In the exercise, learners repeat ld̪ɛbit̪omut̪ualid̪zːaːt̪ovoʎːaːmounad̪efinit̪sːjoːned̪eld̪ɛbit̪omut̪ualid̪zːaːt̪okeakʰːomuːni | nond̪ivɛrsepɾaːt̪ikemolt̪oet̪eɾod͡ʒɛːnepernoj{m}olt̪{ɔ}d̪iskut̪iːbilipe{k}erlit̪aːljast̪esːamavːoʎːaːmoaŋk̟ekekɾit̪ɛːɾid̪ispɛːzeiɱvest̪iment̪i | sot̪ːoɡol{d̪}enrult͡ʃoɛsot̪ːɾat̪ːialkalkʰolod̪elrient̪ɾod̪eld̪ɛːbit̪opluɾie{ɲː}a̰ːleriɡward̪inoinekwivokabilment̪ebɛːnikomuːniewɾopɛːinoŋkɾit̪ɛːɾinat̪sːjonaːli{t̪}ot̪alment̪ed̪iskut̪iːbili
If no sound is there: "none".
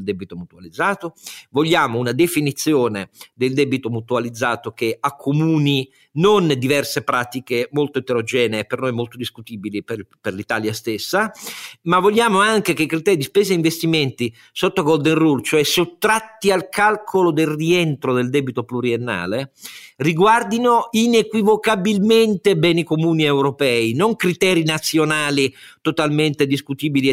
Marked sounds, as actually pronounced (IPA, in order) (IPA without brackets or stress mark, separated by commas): m, o, p, d̪, nː, t̪